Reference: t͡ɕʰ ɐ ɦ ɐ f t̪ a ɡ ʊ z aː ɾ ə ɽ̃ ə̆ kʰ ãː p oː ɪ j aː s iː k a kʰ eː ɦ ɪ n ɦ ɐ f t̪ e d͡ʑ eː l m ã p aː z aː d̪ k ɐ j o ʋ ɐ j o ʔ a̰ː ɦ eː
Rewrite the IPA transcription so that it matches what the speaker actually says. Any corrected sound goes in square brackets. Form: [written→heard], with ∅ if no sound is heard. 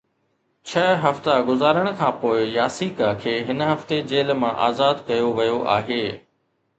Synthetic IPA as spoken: t͡ɕʰ ɐ ɦ ɐ f t̪ a ɡ ʊ z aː ɾ ə ɽ̃ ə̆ kʰ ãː p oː ɪ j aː s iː k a kʰ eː ɦ ɪ n ɦ ɐ f t̪ e d͡ʑ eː l m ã [p→ʔ] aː z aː d̪ k ɐ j o ʋ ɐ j o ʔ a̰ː ɦ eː